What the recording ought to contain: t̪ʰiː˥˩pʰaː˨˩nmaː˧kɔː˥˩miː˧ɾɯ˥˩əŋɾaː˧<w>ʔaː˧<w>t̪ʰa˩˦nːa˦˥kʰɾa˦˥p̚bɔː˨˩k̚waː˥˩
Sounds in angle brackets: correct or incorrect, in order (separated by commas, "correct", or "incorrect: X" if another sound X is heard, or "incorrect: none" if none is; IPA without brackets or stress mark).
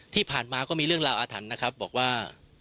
correct, incorrect: none